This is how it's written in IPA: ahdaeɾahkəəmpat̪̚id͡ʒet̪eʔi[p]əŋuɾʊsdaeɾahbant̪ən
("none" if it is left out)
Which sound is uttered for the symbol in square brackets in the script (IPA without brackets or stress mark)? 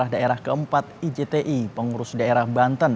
p